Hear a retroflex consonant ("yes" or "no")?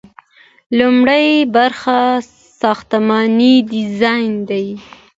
yes